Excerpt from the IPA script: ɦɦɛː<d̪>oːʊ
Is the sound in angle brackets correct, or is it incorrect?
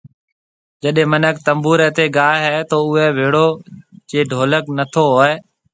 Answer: incorrect